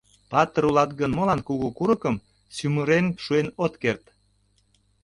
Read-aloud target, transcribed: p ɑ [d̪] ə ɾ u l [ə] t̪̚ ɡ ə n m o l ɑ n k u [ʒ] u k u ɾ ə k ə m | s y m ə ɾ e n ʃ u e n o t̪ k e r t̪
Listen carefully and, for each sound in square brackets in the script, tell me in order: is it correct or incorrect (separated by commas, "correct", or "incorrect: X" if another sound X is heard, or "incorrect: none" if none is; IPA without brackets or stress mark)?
incorrect: t̪, incorrect: ɑ, incorrect: ɣ